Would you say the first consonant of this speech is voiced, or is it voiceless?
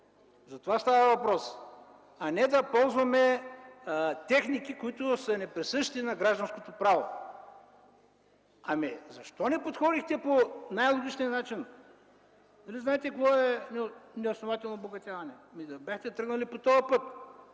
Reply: voiced